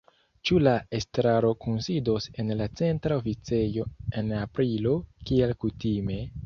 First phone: t͡ʃ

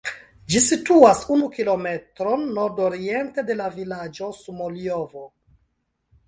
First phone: d͡ʒ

